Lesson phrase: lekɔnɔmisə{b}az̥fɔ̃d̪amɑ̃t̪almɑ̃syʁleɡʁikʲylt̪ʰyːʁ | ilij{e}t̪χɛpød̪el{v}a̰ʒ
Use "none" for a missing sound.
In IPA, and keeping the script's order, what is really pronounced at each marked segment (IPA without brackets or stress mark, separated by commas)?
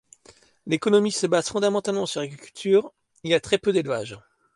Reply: b, a, v